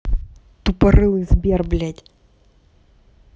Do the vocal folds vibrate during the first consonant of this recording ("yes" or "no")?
no